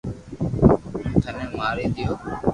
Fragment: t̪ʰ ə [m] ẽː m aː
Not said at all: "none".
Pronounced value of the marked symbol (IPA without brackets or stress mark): n